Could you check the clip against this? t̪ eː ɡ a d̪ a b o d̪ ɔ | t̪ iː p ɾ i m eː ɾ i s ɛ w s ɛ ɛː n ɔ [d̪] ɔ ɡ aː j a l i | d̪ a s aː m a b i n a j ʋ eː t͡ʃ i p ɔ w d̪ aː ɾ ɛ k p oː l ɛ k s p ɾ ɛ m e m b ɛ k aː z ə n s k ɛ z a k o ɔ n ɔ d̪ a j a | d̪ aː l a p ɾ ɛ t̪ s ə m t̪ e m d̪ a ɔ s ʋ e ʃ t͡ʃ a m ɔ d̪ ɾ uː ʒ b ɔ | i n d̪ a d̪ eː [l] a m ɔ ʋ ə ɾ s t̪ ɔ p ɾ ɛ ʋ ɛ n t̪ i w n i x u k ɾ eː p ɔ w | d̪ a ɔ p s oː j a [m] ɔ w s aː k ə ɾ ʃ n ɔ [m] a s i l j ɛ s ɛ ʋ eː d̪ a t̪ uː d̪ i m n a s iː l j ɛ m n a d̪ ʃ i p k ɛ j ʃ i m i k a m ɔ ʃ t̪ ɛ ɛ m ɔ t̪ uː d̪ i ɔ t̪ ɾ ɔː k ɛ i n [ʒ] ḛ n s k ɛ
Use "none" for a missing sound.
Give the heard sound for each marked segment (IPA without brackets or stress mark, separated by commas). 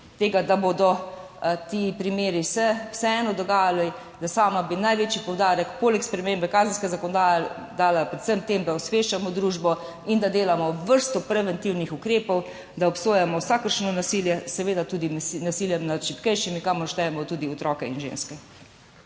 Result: d̪, l, m, n, ʒ